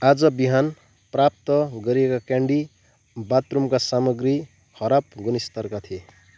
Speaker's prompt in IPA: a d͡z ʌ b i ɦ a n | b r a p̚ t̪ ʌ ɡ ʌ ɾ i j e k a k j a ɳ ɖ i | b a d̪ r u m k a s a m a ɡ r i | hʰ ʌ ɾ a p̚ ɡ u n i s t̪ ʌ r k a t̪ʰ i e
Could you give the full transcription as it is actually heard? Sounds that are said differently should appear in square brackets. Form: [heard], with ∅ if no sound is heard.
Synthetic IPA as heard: a d͡z ʌ b i ɦ a n | [p] r a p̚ t̪ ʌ ɡ ʌ ɾ i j e k a k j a ɳ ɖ i | b a [t̪] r u m k a s a m [ʌ] ɡ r i | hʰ ʌ ɾ a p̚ ɡ u n i s t̪ ʌ r k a t̪ʰ i e